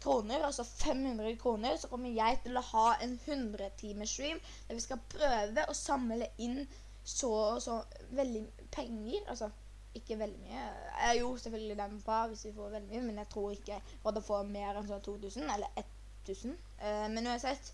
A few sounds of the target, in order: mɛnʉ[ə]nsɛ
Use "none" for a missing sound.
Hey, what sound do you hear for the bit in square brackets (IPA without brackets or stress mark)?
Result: ɑ